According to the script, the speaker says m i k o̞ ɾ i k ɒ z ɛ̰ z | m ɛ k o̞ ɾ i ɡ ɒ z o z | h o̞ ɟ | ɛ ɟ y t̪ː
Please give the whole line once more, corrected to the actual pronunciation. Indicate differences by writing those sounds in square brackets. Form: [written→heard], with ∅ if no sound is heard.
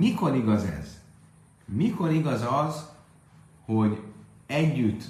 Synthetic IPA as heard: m i k o̞ ɾ i [k→ɡ] ɒ z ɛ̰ z | m [ɛ→i] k o̞ ɾ i ɡ ɒ z [o→ɒ] z | h o̞ ɟ | ɛ [ɟ→ɟː] y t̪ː